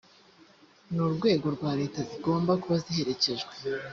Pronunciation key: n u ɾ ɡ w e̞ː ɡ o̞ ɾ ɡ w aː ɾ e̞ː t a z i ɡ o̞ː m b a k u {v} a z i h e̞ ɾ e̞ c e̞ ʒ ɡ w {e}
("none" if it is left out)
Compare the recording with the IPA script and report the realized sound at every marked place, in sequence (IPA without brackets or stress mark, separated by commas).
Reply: β, e